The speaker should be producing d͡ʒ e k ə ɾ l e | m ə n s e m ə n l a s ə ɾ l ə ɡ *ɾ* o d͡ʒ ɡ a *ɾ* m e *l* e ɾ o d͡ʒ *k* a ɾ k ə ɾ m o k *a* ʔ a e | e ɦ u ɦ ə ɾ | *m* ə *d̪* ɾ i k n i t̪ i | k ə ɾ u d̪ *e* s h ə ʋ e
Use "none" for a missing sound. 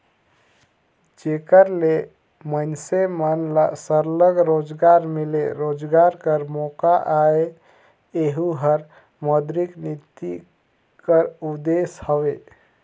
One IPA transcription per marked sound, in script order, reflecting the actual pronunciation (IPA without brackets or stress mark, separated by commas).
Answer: ɾ, ɾ, l, ɡ, a, m, d̪, e